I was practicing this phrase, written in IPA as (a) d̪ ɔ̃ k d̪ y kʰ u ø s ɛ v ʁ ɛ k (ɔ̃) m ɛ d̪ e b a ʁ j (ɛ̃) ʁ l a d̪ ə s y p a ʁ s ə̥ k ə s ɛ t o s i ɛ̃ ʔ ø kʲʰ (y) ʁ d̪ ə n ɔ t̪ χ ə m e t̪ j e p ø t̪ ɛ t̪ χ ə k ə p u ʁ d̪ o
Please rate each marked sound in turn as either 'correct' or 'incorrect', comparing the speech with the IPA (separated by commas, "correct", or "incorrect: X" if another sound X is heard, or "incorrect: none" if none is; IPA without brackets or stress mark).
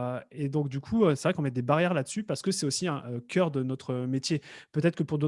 incorrect: e, correct, incorrect: ɛ, incorrect: œ